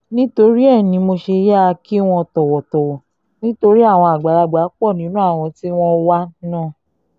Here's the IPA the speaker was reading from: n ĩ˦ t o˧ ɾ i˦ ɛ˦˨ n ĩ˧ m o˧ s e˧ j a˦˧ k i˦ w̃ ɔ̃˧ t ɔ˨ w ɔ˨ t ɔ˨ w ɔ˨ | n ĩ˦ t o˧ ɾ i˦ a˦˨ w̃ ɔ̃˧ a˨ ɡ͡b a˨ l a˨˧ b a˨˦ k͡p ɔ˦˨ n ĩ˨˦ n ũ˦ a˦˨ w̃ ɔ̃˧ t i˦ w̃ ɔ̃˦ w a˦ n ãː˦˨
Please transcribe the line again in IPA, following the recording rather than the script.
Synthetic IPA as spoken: n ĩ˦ t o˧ ɾ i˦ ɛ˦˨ n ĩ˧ m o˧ ʃ e˧ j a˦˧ k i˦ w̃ ɔ̃˧ t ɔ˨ w ɔ˨ t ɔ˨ w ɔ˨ | n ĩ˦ t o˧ ɾ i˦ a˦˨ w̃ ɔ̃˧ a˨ ɡ͡b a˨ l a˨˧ ɡ͡b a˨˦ k͡p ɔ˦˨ n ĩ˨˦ n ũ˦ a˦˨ w̃ ɔ̃˧ t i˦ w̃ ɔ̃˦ w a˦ n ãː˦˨